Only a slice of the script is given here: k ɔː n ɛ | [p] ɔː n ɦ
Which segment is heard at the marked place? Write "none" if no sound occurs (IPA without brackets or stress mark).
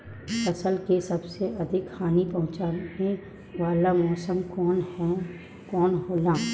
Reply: k